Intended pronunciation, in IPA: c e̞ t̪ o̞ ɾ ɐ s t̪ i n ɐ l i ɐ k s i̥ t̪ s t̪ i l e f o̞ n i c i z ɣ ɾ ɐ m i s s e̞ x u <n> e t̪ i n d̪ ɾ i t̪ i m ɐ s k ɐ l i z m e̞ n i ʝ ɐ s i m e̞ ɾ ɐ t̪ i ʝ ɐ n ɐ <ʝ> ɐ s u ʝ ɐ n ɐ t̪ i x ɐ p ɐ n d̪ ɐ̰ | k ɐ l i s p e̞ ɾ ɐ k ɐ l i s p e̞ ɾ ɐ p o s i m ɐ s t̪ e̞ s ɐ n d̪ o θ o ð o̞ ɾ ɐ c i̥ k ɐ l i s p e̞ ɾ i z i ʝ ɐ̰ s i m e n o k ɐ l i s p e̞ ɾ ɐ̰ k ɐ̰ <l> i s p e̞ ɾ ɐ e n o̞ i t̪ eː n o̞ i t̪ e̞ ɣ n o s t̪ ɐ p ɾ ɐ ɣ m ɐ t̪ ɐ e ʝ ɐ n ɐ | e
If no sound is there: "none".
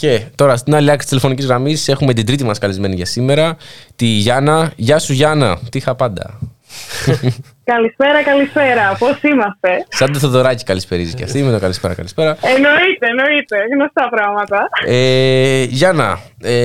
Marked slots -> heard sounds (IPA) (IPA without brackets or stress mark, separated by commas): m, ʝ, l